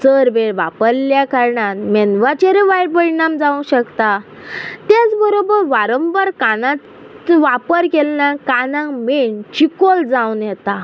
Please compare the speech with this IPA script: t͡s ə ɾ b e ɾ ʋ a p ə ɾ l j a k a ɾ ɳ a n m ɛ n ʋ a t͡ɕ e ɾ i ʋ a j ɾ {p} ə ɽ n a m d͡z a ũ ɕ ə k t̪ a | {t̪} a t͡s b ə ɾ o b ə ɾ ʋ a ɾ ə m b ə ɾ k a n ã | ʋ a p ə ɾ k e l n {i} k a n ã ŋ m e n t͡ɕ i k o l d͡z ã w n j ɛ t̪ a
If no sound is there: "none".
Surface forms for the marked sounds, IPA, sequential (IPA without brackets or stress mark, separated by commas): p, t̪, a